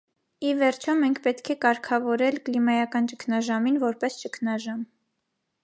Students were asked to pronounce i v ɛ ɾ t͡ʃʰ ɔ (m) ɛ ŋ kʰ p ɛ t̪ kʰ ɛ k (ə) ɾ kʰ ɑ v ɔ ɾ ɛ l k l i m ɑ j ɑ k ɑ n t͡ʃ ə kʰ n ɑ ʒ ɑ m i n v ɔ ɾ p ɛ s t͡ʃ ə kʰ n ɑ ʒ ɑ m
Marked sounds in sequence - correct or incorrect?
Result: correct, incorrect: ɑ

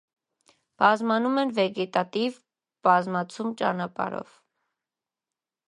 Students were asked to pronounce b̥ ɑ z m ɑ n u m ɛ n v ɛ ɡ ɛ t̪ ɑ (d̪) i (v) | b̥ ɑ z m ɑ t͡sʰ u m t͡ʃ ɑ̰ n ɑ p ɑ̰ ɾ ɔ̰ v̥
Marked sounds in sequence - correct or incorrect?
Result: incorrect: t̪, correct

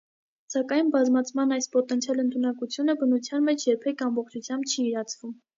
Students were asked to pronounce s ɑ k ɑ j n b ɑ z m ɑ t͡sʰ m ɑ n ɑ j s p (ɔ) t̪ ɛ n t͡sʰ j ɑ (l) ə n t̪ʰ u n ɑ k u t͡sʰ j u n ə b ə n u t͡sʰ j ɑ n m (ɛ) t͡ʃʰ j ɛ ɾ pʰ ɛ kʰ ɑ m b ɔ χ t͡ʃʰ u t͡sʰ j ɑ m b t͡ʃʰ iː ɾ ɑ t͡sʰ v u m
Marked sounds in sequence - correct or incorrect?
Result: correct, correct, correct

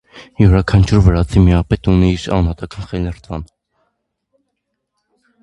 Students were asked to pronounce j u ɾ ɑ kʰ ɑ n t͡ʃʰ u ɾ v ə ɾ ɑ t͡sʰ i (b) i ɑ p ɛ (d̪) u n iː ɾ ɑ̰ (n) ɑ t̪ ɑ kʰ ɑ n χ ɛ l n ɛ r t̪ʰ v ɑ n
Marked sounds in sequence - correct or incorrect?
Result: incorrect: m, incorrect: t̪, correct

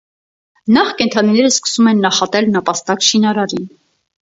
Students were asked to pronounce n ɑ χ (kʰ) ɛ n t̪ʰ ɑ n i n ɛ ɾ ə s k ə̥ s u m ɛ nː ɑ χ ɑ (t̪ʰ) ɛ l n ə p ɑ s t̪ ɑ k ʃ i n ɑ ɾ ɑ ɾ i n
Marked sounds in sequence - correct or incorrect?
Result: incorrect: k, incorrect: t̪

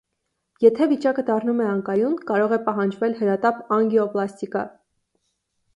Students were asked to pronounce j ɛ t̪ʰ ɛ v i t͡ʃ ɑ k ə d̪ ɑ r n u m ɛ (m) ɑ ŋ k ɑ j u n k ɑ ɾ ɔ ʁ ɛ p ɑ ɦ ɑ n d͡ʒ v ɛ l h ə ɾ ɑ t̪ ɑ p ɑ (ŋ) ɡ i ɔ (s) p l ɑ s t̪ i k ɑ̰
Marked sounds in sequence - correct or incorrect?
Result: incorrect: none, correct, incorrect: none

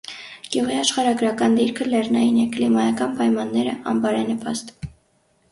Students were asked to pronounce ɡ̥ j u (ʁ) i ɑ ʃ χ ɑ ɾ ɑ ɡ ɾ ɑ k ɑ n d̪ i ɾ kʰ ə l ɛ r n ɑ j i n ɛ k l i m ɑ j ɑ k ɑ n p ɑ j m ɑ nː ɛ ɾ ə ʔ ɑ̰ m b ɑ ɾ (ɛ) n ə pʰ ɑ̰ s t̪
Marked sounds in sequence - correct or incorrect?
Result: correct, correct

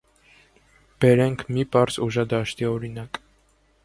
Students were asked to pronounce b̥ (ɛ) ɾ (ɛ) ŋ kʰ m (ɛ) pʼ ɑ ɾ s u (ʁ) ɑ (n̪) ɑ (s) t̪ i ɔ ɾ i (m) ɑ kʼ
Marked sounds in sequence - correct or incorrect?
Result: correct, correct, incorrect: i, incorrect: ʒ, incorrect: d̪, incorrect: ʃ, incorrect: n

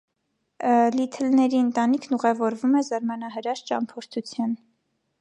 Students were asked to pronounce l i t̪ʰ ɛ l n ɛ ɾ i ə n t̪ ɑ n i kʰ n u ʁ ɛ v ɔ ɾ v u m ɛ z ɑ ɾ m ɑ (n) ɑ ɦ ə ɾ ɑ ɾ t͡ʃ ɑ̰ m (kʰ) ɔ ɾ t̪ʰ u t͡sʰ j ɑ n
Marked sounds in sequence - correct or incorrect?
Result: correct, incorrect: pʰ

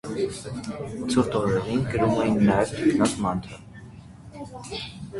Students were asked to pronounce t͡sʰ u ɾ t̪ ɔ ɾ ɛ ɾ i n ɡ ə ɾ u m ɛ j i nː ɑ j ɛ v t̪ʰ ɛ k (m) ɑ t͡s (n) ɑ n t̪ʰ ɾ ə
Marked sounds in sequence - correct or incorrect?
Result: incorrect: n, incorrect: m

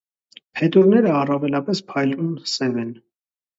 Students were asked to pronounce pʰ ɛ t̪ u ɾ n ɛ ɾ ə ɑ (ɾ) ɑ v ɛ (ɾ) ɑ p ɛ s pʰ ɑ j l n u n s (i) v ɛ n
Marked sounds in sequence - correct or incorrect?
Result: incorrect: r, incorrect: l, incorrect: ɛ

